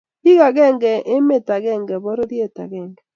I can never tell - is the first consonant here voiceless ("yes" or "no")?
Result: no